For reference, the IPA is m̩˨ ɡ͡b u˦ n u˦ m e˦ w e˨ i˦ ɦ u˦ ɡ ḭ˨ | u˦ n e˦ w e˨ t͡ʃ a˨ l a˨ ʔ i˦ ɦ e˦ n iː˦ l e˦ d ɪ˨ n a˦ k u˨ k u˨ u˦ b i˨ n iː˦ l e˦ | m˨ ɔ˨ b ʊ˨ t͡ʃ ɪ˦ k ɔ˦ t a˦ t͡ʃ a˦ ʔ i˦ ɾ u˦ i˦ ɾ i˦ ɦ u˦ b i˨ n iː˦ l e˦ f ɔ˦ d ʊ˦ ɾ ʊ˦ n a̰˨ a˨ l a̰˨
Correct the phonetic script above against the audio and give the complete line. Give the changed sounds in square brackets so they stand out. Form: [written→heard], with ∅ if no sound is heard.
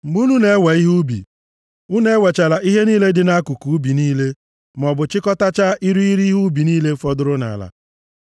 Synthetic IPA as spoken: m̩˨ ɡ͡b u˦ n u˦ [m→n] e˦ w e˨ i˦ ɦ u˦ [ɡ→b] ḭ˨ | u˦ n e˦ w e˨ t͡ʃ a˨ l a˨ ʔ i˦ ɦ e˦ n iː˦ l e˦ d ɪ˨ n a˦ k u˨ k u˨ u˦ b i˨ n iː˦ l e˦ | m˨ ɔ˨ b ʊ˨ t͡ʃ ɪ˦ k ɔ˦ t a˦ t͡ʃ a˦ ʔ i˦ ɾ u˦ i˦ ɾ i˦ ɦ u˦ b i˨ n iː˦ l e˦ f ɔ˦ d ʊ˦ ɾ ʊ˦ n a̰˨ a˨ l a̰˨